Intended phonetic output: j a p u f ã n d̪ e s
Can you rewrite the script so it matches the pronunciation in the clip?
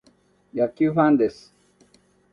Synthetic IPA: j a k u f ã n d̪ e s